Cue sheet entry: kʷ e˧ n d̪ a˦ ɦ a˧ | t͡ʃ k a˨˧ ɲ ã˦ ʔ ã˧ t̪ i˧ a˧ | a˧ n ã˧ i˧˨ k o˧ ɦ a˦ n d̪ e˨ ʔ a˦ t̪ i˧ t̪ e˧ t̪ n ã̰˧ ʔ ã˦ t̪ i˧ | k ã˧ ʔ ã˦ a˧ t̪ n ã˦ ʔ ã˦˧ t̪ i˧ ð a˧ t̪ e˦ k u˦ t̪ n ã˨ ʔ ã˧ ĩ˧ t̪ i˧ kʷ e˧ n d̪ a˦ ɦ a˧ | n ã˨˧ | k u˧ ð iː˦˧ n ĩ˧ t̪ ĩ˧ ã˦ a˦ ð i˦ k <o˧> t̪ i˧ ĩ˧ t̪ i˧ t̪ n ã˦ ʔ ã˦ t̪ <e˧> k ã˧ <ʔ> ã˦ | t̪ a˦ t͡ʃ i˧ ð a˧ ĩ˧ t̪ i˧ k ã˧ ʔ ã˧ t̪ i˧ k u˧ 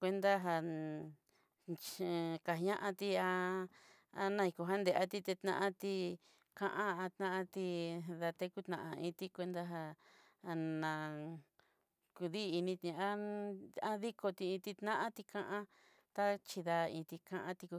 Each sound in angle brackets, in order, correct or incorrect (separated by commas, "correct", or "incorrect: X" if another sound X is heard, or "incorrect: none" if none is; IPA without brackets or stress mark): correct, incorrect: i˧, correct